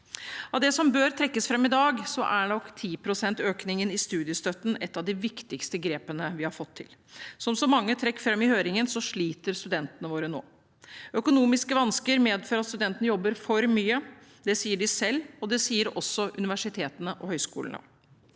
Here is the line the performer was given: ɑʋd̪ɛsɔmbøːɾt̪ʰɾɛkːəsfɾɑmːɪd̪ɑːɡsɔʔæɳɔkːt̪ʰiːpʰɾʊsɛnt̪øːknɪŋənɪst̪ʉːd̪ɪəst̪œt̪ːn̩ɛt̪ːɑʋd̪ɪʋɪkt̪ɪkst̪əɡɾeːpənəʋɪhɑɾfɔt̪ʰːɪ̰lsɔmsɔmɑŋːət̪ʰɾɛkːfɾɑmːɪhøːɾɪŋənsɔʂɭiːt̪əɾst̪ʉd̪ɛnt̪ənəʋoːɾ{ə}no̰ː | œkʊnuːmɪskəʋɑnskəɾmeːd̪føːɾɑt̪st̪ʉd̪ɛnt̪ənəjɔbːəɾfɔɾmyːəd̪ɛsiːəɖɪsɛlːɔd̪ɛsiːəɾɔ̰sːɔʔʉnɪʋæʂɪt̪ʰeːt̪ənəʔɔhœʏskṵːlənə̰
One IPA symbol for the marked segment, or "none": ə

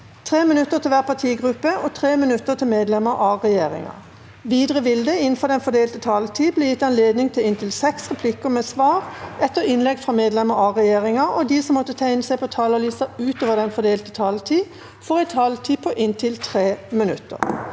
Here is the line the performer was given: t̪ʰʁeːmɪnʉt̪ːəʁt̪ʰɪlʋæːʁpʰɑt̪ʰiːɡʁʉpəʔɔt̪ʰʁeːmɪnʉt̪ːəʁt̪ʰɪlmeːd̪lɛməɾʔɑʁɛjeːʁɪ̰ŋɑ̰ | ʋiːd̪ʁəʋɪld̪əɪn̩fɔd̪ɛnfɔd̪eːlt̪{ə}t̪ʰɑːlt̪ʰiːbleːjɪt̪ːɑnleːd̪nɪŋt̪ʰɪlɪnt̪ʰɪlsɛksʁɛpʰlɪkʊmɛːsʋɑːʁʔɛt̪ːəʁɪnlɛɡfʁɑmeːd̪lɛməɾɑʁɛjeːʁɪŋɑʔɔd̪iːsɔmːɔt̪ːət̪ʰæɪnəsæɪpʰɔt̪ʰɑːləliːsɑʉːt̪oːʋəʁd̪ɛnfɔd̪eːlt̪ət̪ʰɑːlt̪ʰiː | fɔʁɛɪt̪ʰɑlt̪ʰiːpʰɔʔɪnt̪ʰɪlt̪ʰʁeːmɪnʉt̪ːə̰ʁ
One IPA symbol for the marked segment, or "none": ə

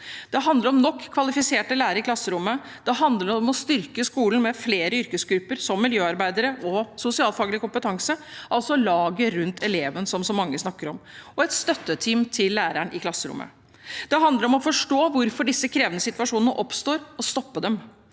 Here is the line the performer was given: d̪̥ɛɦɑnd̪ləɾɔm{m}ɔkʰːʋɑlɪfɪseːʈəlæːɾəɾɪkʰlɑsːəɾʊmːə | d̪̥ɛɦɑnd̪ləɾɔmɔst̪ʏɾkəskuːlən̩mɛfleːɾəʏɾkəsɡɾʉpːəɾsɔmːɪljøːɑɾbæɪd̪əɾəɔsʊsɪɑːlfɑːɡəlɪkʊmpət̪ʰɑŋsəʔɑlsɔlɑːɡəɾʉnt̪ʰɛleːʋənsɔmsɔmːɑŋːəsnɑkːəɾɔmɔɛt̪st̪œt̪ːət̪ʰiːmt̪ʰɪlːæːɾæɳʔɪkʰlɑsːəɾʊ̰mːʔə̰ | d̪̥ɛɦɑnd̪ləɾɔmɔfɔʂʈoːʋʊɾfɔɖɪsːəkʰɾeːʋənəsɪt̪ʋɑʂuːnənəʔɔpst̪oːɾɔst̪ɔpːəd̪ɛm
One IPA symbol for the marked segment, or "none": n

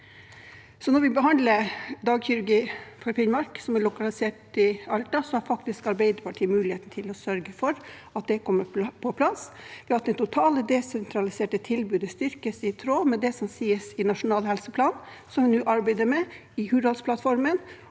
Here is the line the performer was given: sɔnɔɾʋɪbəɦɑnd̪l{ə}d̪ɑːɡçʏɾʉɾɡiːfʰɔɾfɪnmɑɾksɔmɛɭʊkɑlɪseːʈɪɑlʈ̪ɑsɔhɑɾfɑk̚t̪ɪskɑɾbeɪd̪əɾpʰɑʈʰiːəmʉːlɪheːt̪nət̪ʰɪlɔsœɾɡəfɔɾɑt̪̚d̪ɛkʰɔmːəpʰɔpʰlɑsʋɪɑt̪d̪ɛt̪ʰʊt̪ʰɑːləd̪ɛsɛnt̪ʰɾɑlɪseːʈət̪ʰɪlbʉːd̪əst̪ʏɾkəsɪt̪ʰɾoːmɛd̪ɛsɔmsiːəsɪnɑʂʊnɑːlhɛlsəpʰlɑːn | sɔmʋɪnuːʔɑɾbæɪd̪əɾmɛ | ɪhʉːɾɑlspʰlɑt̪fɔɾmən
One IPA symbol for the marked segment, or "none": ə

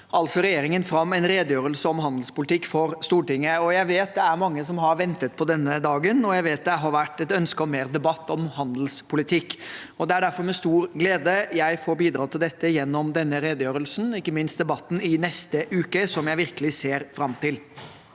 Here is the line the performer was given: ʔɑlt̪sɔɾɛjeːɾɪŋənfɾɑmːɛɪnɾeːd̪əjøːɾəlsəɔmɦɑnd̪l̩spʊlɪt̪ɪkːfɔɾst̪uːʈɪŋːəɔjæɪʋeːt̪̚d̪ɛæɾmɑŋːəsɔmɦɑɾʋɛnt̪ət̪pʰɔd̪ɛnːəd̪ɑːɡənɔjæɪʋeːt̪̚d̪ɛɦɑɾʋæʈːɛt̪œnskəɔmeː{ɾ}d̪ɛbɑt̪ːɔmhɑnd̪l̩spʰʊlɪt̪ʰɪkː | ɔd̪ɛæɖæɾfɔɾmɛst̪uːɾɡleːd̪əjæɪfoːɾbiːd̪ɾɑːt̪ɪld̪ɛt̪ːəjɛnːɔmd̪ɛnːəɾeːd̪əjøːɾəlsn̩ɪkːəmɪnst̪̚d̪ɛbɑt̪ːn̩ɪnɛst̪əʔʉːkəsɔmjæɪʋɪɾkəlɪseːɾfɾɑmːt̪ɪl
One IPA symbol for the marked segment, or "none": ɾ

